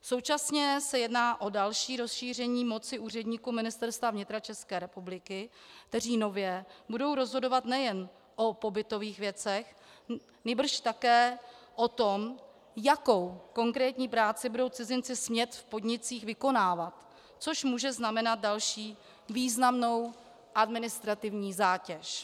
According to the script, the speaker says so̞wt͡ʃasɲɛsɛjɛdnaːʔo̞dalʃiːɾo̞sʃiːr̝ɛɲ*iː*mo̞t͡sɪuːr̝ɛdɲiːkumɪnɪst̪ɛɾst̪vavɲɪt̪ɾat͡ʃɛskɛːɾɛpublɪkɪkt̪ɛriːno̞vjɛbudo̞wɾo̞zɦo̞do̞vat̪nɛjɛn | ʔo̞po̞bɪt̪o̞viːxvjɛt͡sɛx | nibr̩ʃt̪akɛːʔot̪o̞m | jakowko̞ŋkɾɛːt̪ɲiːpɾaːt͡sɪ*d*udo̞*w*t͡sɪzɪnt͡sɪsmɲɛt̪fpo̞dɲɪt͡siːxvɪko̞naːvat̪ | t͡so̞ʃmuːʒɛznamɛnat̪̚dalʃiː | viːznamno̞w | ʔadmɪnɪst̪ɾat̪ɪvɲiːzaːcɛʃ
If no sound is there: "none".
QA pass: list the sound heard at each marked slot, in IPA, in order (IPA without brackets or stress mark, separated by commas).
iː, b, w